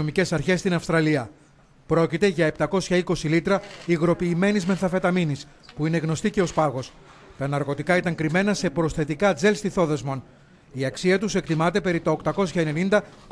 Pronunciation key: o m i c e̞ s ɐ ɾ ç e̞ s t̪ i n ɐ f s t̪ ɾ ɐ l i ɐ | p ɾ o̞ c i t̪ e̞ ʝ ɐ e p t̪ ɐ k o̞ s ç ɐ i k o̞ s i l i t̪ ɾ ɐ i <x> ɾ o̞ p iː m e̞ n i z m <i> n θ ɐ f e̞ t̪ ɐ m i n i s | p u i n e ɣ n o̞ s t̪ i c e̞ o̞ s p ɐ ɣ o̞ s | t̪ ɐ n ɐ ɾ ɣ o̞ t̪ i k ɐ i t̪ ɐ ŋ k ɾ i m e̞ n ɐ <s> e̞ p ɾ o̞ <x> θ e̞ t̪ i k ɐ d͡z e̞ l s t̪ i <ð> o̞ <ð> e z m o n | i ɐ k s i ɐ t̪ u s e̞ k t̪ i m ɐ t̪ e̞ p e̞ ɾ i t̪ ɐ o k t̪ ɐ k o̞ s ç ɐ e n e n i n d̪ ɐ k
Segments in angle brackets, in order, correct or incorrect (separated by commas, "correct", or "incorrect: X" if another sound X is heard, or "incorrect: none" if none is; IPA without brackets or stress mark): incorrect: ɣ, incorrect: e, correct, incorrect: s, incorrect: θ, correct